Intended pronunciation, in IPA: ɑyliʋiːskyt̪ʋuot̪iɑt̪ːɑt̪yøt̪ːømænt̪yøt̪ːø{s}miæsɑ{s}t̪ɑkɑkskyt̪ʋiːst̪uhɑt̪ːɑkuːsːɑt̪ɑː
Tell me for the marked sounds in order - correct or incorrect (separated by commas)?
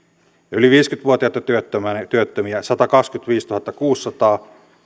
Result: incorrect, incorrect